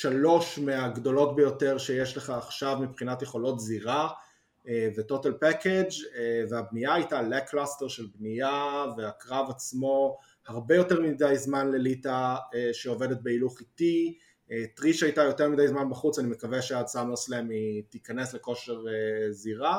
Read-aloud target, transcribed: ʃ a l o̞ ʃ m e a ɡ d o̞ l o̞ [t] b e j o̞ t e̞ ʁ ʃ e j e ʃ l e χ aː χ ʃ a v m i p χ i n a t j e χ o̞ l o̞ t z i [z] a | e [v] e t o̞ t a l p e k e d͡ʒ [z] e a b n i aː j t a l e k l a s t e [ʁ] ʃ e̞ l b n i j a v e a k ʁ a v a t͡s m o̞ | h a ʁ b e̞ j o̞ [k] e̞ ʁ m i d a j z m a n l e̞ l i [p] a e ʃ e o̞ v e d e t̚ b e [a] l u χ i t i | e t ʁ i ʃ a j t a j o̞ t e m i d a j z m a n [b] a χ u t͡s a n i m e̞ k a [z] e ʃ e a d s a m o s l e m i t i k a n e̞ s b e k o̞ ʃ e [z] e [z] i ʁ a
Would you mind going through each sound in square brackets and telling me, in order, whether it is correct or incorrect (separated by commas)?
correct, incorrect, correct, incorrect, correct, incorrect, incorrect, incorrect, correct, incorrect, incorrect, correct